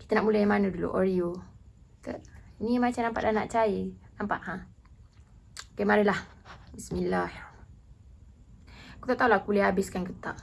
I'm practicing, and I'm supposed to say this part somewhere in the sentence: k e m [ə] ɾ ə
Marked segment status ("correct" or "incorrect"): incorrect